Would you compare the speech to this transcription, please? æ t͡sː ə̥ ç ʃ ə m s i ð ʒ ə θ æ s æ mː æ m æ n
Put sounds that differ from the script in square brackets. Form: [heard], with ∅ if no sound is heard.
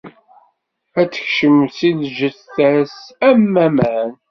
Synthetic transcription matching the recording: æ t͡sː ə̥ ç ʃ ə m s i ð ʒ ə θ æ s æ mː æ m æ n